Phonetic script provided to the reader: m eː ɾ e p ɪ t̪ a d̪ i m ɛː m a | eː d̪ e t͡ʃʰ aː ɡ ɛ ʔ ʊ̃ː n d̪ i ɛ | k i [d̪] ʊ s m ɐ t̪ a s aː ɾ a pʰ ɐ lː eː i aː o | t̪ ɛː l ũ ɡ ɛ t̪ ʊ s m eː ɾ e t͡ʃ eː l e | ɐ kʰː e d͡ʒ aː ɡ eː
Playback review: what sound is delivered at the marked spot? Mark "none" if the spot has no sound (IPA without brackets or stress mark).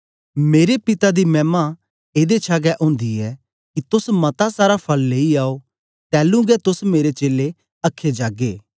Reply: t̪